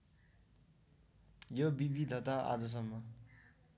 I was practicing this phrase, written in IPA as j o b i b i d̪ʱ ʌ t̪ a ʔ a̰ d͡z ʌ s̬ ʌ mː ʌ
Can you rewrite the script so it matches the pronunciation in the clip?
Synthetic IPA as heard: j o b i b i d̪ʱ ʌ t̪ a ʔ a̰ d͡z ʌ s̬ ʌ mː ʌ